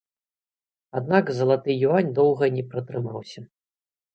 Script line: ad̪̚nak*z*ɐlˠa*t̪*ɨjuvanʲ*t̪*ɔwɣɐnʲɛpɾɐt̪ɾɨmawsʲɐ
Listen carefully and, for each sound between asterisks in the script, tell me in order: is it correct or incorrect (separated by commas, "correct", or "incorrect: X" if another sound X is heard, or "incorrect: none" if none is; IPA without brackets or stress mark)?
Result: correct, correct, incorrect: d̪